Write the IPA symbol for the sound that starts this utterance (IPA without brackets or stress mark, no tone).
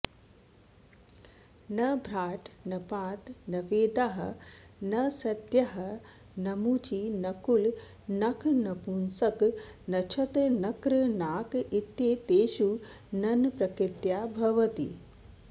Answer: n